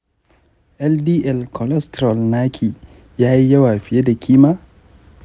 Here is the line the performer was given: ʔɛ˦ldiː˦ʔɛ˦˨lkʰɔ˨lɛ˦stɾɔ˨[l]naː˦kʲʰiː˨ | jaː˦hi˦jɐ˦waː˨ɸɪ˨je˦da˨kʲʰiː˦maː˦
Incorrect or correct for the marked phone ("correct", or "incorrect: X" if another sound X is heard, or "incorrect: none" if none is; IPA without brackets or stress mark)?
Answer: correct